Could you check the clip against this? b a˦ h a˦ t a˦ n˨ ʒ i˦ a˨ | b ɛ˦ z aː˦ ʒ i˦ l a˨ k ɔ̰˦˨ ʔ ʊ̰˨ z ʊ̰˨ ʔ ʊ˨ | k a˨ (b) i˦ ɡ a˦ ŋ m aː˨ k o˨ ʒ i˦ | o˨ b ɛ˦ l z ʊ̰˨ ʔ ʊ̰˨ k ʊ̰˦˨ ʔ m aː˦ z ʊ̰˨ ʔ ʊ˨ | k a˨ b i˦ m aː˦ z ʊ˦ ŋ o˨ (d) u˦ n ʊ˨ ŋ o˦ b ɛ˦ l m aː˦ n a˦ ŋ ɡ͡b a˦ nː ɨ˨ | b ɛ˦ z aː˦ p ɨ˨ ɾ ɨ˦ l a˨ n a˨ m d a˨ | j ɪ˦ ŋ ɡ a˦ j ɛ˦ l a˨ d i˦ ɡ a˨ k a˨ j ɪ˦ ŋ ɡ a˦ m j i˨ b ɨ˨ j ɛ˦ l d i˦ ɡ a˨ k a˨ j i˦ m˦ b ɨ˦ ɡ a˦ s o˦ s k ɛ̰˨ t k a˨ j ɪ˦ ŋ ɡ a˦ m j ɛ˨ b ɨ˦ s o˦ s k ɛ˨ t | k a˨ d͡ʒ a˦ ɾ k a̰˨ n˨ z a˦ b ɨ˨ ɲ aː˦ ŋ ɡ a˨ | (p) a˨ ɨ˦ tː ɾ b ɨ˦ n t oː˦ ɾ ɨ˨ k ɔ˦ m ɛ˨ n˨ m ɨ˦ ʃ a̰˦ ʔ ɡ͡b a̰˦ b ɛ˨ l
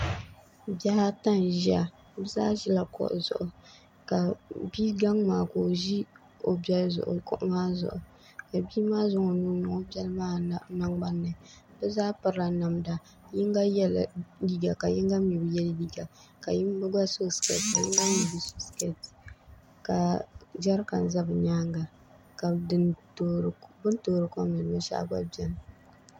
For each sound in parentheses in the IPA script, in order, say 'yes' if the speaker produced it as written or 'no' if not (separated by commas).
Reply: yes, no, no